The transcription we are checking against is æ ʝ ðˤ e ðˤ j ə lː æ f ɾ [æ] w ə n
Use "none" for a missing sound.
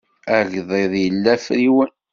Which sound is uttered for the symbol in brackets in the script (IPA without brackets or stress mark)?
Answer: i